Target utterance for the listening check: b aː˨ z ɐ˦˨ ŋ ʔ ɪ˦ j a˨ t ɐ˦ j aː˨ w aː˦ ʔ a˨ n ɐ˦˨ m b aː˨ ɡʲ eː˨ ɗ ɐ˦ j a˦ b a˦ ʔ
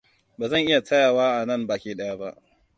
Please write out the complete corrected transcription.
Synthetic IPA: b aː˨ z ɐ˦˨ ŋ ʔ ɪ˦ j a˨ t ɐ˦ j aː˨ w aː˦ ʔ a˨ n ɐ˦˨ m b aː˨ kʲ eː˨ ɗ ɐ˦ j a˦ b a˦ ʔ

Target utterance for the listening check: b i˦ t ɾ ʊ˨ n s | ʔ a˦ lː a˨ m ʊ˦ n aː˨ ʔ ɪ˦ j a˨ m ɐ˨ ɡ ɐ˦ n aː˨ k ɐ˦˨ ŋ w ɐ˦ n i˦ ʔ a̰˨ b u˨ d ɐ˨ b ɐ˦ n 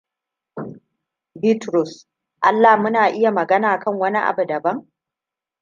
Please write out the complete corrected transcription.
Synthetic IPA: b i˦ t ɾ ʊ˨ s | ʔ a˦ lː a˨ m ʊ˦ n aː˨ ʔ ɪ˦ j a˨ m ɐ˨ ɡ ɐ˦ n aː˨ k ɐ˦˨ ŋ w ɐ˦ n i˦ ʔ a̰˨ b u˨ d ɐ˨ b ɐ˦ ŋ

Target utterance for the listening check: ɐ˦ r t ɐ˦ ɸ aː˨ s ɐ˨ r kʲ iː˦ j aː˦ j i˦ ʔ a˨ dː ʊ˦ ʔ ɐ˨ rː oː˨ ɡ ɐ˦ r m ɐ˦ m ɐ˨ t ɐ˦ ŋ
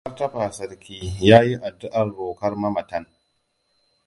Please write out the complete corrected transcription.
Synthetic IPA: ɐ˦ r t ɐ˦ ɸ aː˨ s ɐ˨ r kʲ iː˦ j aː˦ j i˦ ʔ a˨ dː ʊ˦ ʔ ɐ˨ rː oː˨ k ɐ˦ r m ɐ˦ m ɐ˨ t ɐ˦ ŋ

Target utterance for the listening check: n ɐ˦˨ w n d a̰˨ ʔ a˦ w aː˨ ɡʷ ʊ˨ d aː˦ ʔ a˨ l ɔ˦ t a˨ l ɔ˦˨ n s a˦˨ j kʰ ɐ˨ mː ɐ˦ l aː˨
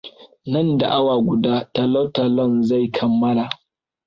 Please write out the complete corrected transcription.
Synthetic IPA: n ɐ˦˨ n d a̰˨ ʔ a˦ w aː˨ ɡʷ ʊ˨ d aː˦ t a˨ l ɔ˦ t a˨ l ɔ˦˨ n z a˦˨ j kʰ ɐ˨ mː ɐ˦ l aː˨

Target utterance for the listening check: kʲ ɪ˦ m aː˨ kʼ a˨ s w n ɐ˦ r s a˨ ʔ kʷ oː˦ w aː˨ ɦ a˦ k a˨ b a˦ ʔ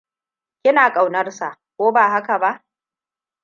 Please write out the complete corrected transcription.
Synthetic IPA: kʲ ɪ˦ n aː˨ kʼ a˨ w n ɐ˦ r s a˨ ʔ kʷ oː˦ b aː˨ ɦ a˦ k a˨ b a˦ ʔ

